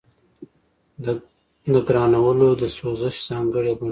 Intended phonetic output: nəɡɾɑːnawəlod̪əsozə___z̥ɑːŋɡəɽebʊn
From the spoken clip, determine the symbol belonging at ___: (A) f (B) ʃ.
B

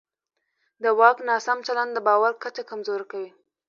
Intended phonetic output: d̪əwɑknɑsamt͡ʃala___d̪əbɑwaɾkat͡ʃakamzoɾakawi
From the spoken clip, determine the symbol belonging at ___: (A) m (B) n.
B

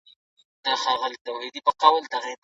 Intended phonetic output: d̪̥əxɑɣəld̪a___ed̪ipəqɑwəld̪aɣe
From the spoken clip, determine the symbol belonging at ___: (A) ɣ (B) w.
B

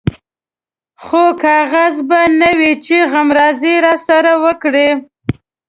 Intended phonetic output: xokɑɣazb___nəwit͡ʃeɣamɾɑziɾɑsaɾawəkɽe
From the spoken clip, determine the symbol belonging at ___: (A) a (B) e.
A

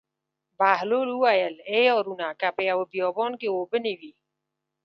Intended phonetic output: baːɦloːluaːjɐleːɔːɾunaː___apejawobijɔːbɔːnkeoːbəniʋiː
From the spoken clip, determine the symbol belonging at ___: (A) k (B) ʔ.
A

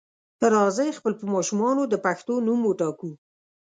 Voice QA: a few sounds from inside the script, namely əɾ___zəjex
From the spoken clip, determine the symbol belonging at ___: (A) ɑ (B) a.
A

